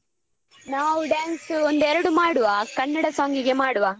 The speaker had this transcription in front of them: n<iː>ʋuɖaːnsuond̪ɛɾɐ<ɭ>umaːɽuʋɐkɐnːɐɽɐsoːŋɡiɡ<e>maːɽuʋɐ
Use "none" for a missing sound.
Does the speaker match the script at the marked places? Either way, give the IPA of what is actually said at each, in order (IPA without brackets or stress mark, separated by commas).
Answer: aː, ɽ, e